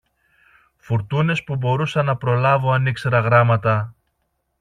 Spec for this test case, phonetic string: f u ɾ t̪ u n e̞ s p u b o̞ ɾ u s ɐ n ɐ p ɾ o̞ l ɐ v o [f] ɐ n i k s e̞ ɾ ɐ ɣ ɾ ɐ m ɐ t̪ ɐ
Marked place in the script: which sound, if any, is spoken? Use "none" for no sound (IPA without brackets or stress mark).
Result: none